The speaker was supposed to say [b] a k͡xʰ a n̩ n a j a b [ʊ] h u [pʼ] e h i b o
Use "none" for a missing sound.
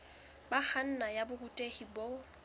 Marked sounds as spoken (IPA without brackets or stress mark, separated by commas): b, ʊ, tʼ